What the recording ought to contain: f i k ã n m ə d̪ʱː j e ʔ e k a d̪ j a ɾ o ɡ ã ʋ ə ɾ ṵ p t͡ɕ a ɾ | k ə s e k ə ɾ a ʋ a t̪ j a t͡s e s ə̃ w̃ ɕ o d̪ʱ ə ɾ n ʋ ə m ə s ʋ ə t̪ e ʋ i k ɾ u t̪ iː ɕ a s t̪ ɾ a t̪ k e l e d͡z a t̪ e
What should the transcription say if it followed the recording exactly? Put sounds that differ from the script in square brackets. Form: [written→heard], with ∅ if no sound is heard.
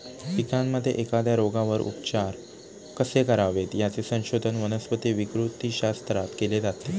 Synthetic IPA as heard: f i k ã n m ə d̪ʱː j e ʔ e k a d̪ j a ɾ o ɡ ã ʋ ə ɾ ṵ p t͡ɕ a ɾ | k ə s e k ə ɾ a ʋ [a→e] t̪ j a t͡s e s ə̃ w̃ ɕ o d̪ʱ ə [ɾ→∅] n ʋ ə [m→n] ə s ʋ ə t̪ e ʋ i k ɾ u t̪ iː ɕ a s t̪ ɾ a t̪ k e l e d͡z a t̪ e